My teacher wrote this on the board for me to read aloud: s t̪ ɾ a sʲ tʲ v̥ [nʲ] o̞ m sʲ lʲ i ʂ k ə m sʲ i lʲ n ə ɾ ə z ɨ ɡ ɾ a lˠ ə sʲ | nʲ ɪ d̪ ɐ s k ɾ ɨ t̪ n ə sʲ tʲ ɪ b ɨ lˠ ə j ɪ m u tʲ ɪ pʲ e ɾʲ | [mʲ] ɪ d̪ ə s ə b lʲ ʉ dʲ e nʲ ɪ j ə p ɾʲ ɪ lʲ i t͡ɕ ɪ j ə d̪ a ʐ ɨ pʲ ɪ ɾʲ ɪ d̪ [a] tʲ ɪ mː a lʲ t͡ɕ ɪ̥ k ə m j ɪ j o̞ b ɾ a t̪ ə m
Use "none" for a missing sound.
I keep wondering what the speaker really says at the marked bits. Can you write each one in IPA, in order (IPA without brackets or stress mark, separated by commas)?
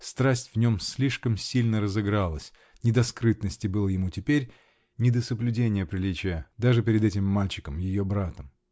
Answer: nʲ, nʲ, ɛ